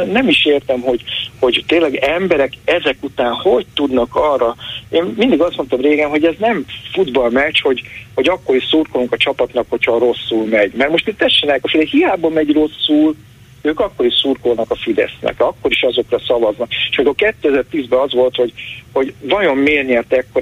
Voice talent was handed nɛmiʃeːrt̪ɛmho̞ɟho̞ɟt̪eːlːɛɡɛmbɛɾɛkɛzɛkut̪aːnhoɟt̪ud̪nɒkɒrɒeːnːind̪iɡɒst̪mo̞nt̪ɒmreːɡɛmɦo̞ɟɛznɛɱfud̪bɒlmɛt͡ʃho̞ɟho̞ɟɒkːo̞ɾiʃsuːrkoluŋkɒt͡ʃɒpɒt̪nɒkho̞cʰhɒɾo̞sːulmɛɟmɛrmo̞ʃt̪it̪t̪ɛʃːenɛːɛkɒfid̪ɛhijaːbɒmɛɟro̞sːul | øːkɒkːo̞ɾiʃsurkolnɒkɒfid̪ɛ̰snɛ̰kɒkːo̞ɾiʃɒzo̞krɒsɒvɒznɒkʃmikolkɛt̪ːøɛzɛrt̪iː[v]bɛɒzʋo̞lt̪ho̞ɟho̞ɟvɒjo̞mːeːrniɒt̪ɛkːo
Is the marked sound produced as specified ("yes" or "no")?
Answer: no